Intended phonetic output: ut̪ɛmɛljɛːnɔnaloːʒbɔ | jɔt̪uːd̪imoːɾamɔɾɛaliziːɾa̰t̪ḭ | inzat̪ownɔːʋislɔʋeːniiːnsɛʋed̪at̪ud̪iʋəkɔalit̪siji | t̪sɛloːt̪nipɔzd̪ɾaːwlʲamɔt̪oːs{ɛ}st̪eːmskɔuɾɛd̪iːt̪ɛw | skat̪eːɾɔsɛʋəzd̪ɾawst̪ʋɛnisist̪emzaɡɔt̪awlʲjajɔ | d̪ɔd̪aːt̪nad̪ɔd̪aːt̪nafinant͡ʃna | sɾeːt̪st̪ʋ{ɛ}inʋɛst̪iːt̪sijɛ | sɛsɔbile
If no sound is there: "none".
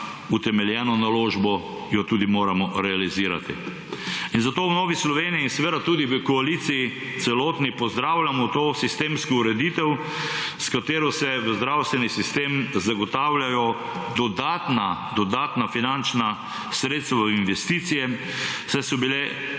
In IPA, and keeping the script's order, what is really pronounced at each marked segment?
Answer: i, a

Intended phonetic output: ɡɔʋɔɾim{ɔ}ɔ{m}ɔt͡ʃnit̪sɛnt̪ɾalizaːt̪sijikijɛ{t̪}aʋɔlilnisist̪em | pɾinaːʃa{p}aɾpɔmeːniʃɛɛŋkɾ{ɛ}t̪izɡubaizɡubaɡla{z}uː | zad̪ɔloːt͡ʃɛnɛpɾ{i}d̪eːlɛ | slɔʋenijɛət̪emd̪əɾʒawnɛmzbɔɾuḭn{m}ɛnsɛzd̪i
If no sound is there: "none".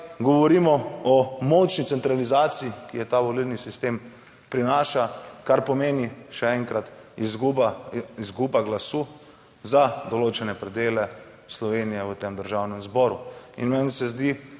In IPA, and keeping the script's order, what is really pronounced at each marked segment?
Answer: ɔ, m, t̪, k, a, s, ɛ, m

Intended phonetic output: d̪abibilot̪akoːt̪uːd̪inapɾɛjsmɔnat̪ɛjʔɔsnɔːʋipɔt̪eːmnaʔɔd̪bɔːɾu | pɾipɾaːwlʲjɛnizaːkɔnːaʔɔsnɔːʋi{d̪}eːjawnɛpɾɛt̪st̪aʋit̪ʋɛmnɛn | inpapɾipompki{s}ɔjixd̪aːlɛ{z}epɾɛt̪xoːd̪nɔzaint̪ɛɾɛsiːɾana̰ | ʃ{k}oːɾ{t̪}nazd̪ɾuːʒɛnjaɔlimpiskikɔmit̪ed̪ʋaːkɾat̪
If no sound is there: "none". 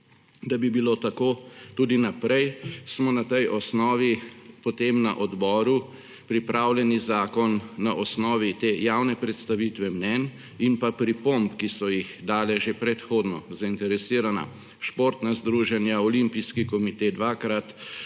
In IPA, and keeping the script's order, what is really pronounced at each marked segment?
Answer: t̪, s, ʒ, p, t̪

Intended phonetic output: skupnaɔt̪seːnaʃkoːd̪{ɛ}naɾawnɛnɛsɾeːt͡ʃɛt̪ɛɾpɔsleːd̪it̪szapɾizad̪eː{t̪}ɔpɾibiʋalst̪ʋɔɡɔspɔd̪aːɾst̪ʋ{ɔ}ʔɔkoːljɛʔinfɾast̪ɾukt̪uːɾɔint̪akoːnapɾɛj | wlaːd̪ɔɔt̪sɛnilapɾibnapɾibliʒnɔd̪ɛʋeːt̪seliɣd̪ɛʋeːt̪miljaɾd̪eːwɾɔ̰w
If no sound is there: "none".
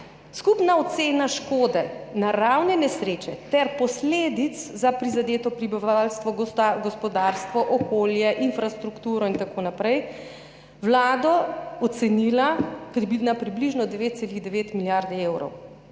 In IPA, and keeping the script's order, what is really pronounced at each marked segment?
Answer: ɛ, t̪, ɔ

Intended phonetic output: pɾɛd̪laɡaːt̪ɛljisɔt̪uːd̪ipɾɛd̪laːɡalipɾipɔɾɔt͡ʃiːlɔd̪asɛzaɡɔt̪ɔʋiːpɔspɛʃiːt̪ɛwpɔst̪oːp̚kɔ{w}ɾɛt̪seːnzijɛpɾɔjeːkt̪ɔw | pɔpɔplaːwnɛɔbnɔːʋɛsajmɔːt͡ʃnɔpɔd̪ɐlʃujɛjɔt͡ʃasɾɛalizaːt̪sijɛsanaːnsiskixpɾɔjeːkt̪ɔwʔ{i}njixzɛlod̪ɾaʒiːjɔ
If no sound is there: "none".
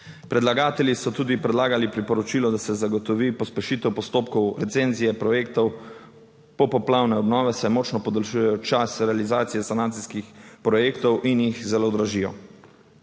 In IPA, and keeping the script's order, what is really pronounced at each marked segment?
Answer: w, i

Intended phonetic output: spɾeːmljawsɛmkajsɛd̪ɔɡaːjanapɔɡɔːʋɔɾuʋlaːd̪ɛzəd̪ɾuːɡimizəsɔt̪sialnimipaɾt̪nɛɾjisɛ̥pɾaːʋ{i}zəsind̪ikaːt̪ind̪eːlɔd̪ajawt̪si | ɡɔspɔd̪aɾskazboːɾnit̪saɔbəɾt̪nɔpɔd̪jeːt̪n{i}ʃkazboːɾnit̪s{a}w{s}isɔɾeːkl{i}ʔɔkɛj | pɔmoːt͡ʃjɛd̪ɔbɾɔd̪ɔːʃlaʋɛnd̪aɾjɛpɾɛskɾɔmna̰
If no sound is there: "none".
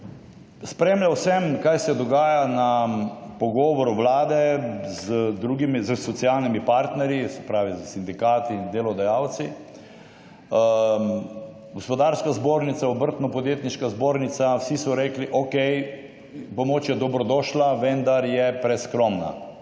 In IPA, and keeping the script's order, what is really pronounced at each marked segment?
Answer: i, i, a, s, i

